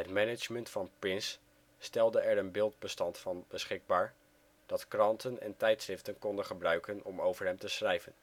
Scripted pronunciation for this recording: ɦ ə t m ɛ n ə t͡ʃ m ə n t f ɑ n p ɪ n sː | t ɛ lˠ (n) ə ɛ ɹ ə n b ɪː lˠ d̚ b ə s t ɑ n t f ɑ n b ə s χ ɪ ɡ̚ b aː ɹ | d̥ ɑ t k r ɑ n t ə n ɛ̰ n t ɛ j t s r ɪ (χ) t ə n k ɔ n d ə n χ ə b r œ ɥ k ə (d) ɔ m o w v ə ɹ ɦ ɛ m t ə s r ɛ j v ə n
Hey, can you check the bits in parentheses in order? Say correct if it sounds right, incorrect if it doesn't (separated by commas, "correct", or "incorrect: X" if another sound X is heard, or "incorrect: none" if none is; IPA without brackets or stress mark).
incorrect: d, incorrect: f, incorrect: n